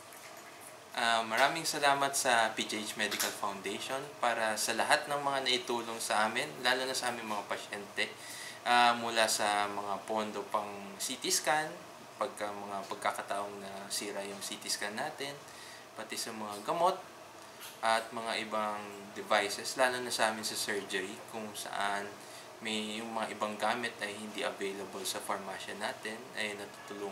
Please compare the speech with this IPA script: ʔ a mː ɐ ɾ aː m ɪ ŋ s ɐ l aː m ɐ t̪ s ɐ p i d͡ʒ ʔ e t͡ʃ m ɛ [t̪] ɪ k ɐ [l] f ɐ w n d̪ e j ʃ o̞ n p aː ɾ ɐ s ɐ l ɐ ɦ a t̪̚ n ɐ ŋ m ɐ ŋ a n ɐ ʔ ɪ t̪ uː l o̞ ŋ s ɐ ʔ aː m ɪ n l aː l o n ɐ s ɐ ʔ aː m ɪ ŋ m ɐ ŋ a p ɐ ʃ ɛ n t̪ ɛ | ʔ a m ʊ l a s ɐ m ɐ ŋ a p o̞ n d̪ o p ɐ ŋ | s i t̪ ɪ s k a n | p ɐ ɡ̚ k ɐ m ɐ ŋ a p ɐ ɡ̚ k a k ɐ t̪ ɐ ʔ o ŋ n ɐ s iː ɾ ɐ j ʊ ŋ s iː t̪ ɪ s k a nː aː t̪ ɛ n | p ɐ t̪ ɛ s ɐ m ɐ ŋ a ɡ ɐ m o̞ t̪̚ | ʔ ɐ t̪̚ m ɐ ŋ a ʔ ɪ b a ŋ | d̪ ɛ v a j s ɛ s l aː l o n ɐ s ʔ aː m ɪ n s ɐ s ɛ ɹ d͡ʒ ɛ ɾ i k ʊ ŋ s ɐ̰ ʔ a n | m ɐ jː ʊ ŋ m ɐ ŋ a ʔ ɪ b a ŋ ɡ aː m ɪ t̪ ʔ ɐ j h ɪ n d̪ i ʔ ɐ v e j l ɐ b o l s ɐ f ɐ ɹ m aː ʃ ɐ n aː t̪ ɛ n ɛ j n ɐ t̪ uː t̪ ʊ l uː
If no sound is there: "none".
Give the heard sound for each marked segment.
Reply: d̪, l

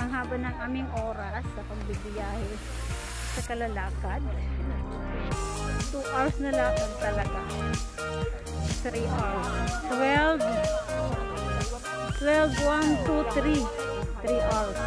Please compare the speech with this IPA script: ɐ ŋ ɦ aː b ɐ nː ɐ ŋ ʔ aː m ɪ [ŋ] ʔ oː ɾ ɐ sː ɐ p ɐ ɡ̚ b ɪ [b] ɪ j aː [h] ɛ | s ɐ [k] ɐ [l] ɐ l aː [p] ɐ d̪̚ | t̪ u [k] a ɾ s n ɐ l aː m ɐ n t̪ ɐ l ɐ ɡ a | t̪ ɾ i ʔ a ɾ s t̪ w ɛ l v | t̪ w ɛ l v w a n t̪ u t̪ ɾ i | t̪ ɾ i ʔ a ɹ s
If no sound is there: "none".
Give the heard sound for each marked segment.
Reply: ŋ, b, h, k, l, k, ʔ

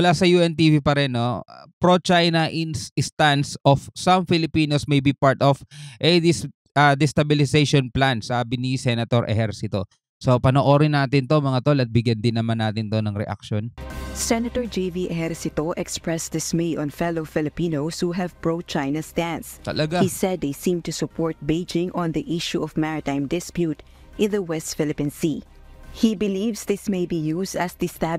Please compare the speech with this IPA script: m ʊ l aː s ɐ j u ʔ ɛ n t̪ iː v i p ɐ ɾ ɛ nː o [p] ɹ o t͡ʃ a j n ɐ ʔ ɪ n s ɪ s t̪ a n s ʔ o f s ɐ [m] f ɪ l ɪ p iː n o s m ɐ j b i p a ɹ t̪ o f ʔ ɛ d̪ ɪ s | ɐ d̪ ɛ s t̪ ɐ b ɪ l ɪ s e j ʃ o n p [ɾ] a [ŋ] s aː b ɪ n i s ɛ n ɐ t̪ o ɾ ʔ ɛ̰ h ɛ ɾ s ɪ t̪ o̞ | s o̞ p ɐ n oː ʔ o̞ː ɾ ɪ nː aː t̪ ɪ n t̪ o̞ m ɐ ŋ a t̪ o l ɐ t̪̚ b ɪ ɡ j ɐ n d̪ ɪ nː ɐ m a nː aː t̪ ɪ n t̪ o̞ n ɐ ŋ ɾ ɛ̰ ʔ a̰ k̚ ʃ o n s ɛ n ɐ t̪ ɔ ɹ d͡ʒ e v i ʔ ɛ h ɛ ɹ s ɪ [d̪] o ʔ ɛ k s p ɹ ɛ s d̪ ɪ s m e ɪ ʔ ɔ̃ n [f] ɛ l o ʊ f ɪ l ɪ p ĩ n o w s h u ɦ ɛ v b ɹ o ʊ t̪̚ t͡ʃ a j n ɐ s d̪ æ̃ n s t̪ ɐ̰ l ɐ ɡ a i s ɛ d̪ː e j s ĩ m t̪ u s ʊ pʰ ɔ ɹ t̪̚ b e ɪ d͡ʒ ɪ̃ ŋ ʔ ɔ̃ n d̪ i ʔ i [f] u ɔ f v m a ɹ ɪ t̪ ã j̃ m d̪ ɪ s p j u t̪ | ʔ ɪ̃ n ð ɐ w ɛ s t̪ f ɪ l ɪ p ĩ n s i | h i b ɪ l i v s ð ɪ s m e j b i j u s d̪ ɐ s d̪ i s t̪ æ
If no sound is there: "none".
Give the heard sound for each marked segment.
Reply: p, m, l, n, t̪, f, ʃ

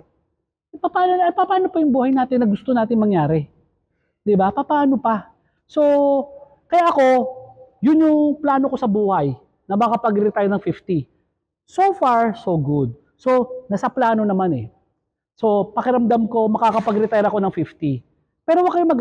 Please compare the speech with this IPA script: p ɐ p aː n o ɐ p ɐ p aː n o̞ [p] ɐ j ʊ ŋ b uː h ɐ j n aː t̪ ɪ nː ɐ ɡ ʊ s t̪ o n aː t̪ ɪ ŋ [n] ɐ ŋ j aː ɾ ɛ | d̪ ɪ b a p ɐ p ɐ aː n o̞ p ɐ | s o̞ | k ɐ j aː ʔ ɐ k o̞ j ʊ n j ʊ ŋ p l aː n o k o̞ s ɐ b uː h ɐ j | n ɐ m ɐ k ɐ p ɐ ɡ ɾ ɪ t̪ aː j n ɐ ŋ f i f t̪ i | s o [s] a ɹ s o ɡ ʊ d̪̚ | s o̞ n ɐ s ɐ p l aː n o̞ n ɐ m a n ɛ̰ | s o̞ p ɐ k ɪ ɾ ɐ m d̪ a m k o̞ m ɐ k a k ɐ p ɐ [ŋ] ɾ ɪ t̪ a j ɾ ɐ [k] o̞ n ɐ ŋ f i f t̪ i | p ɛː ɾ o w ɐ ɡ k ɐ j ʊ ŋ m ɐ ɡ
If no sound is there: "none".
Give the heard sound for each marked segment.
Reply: p, m, f, ɡ, k

